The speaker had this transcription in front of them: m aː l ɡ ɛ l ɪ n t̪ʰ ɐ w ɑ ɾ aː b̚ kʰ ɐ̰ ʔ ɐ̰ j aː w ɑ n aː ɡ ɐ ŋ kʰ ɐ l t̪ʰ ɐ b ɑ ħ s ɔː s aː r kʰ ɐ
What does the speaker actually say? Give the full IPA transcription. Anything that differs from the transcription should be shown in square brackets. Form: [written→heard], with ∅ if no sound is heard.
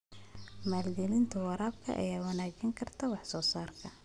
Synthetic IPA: m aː l ɡ ɛ l ɪ n t̪ʰ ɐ w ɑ ɾ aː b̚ kʰ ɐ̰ ʔ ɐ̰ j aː w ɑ n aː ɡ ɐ ŋ kʰ ɐ [l→r] t̪ʰ ɐ [b→w] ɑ ħ s ɔː s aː r kʰ ɐ

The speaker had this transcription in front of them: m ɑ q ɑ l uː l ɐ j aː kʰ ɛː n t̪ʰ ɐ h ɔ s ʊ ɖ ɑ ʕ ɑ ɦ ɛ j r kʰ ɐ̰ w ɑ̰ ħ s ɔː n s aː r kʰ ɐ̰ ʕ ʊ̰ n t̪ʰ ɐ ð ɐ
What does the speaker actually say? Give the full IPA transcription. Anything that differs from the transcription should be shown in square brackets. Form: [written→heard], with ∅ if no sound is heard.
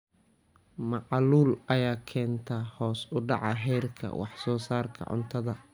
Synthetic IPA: m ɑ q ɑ l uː l ɐ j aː kʰ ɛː n t̪ʰ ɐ h [ɔ→ɔː] s ʊ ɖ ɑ ʕ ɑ ɦ ɛ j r kʰ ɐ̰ w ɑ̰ ħ s ɔː [n→∅] s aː r kʰ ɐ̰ ʕ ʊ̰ n t̪ʰ ɐ ð ɐ

